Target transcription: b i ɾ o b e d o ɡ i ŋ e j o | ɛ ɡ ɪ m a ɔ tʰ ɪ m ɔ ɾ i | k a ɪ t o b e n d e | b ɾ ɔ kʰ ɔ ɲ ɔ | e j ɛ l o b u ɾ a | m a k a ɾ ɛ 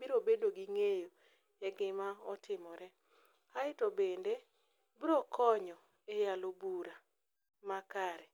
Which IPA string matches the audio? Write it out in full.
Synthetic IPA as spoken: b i ɾ o b e d o ɡ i ŋ e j o | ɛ ɡ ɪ m a ɔ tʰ ɪ m ɔ ɾ ɛ | k a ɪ t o b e n d e | b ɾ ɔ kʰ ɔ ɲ ɔ | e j a l o b u ɾ a | m a k a ɾ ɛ